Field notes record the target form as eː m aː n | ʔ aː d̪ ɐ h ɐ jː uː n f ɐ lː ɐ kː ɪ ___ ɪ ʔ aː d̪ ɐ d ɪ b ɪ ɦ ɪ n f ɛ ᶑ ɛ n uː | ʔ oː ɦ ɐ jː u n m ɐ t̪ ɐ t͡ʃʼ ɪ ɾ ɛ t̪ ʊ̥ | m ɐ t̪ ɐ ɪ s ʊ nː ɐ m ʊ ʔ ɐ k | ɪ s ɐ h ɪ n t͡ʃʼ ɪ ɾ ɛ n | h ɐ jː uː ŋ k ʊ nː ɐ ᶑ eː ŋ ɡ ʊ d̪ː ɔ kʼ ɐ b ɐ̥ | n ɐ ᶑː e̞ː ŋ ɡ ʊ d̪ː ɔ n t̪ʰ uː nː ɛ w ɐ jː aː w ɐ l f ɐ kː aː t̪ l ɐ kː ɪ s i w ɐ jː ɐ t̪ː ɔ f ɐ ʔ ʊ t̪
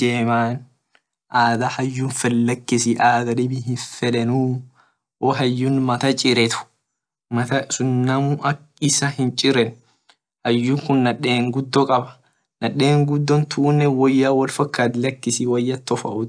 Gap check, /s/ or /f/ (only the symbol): s